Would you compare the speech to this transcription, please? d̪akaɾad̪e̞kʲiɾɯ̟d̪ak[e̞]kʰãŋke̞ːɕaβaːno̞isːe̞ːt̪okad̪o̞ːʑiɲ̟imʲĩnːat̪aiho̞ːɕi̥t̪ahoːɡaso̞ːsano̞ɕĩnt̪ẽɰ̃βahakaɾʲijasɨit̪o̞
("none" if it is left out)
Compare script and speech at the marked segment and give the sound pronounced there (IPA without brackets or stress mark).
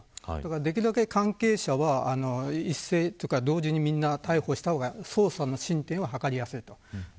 e̞